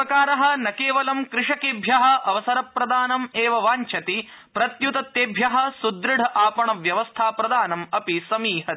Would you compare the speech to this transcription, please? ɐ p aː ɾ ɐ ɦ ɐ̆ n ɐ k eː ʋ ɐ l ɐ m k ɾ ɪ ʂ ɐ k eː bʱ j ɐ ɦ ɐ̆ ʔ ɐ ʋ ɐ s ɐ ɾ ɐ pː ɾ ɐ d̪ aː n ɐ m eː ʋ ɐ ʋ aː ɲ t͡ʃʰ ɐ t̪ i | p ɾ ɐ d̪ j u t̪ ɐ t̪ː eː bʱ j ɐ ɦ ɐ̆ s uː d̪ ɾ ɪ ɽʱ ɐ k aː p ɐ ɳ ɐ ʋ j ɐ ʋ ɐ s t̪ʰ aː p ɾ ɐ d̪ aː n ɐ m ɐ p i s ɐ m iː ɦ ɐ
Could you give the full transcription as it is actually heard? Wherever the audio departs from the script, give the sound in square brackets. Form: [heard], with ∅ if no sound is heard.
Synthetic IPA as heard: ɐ [k] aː ɾ ɐ ɦ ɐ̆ n ɐ k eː ʋ ɐ l ɐ m k ɾ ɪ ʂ ɐ k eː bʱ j ɐ ɦ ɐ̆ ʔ ɐ ʋ ɐ s ɐ ɾ ɐ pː ɾ ɐ d̪ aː n ɐ m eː ʋ ɐ ʋ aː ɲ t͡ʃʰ ɐ t̪ i | p ɾ ɐ [t̪] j u t̪ ɐ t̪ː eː bʱ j ɐ ɦ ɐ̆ s [u] d̪ ɾ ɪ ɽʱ ɐ [ʔ] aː p ɐ ɳ ɐ ʋ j ɐ ʋ ɐ s t̪ʰ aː p ɾ ɐ d̪ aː n ɐ m ɐ p i s ɐ m iː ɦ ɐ